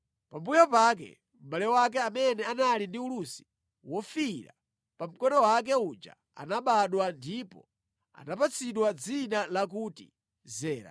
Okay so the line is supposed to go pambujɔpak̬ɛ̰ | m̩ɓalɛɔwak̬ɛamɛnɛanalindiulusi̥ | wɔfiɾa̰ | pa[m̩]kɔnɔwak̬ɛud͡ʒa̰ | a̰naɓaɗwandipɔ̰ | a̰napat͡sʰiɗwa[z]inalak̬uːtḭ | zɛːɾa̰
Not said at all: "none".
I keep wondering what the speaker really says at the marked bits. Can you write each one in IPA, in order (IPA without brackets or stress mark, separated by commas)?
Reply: m̩, d͡z